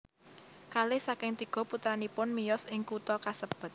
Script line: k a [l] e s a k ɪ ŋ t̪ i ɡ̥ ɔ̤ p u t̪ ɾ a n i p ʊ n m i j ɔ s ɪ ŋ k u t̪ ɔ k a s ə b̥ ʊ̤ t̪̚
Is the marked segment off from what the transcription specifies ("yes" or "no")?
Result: no